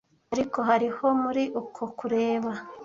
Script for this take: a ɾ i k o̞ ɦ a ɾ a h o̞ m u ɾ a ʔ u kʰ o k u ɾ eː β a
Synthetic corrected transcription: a ɾ i k o̞ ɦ a ɾ i h o̞ m u ɾ i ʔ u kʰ o k u ɾ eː β a